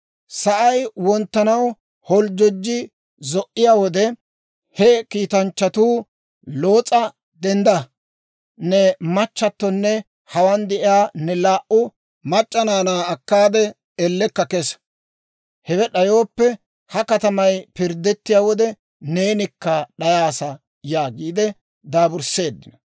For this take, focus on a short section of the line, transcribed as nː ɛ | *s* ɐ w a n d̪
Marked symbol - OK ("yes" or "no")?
no